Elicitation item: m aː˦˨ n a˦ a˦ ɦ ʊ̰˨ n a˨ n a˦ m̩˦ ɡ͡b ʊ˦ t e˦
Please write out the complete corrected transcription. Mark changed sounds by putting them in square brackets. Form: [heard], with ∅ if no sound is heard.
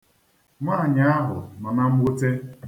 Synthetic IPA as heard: m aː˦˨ [ɲ] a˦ a˦ ɦ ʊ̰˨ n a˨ n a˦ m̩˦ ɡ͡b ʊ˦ t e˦

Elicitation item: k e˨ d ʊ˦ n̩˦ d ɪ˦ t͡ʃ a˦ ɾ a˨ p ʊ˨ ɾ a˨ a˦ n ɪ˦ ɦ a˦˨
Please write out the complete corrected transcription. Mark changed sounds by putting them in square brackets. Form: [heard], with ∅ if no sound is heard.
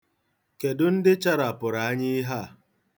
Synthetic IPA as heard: k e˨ d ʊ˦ n̩˦ d ɪ˦ t͡ʃ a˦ ɾ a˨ p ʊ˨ ɾ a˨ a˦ [ɲ] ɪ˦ ɦ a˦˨

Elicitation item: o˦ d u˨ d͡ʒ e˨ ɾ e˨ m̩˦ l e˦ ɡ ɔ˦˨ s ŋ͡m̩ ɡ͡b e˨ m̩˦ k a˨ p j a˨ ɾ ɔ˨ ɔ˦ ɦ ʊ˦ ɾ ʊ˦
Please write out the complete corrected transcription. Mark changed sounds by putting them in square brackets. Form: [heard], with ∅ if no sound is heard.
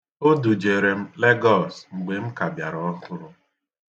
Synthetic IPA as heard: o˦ d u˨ d͡ʒ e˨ ɾ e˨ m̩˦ l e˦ ɡ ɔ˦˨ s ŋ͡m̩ ɡ͡b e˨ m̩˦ k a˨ [b] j a˨ ɾ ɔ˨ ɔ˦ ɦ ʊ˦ ɾ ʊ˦

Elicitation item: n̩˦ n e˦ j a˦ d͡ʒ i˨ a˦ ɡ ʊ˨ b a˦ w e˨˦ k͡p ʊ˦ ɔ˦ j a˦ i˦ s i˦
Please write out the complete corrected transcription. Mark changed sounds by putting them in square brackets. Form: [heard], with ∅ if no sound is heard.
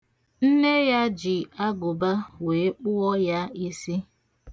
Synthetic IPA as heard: n̩˦ n e˦ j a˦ d͡ʒ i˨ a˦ ɡ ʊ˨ b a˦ w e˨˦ k͡p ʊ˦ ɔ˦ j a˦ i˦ s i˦

